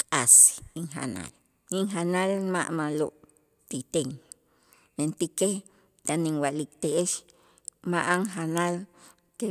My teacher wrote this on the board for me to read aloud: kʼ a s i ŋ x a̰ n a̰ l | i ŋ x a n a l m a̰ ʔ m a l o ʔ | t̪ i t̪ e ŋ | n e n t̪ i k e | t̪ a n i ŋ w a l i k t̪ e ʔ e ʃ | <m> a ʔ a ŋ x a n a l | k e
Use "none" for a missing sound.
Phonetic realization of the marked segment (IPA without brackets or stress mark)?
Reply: m